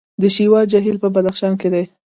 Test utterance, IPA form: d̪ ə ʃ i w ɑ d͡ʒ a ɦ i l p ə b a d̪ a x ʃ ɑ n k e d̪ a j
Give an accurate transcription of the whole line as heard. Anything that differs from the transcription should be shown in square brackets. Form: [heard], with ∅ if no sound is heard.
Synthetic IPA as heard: d̪ ə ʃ i w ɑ d͡ʒ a ɦ i l p ə b a d̪ a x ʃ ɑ n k e d̪ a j